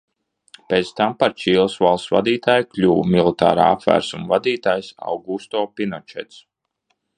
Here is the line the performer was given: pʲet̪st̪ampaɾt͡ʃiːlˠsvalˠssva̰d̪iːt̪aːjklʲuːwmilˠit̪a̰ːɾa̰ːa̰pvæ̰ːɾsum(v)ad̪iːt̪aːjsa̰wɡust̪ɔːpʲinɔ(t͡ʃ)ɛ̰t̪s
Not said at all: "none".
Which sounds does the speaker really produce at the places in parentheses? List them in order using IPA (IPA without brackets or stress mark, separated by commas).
v, t͡ʃ